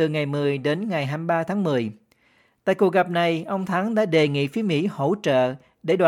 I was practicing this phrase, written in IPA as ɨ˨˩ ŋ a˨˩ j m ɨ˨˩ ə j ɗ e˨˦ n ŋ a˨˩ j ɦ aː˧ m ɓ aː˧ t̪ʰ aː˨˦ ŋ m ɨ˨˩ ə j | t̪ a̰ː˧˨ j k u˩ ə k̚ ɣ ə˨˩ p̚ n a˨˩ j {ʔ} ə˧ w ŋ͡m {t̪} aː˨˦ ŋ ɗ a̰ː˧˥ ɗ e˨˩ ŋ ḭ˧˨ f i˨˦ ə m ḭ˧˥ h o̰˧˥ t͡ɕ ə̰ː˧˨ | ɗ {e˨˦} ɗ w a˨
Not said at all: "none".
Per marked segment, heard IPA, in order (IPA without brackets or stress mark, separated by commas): ʔ, t̪ʰ, e˧˩